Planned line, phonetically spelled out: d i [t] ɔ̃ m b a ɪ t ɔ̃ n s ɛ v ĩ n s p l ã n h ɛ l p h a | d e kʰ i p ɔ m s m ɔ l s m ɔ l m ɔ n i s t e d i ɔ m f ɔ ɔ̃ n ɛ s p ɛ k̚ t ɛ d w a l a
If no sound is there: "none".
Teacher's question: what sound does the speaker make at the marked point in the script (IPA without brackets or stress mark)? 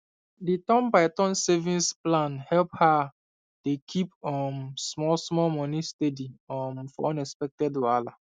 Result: t